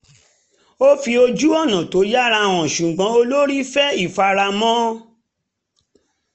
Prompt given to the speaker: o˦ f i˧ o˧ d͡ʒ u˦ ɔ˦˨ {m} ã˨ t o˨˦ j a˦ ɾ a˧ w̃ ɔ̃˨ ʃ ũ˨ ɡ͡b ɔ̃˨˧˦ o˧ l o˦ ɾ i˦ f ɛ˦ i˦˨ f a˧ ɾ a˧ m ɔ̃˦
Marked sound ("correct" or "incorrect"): incorrect